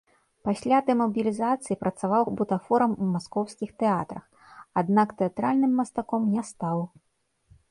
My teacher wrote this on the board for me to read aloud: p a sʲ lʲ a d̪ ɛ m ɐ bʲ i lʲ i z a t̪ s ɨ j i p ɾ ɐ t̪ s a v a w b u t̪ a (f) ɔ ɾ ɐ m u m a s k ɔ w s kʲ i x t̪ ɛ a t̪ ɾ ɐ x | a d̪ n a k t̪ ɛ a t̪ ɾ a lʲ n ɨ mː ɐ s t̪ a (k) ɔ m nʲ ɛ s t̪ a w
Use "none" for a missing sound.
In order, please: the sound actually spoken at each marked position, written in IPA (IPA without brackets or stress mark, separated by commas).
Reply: f, k